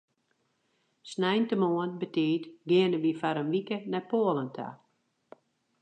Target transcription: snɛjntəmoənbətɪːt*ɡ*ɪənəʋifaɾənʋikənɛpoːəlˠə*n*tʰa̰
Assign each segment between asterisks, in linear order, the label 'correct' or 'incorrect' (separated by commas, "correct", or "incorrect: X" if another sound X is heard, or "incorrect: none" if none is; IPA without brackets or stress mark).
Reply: correct, correct